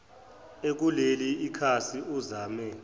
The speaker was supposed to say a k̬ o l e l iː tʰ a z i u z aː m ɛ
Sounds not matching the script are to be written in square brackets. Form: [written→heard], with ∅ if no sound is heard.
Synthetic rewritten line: [a→e] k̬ [o→u] l e l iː [tʰ→kʰ] a [z→s] i u z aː m ɛ